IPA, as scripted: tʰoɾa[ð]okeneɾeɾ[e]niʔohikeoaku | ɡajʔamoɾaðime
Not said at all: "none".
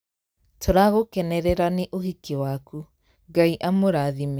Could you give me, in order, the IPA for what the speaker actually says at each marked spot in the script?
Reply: ɣ, a

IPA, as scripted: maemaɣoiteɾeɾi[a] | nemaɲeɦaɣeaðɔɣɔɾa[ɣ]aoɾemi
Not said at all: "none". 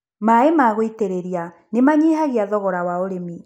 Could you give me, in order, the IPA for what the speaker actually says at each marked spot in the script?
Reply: a, w

